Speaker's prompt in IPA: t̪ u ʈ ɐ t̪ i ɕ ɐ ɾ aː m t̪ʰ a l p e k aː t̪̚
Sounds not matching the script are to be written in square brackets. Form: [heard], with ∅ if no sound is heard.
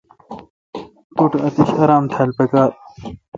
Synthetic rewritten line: t̪ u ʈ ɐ t̪ i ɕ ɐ ɾ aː m t̪ʰ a l p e k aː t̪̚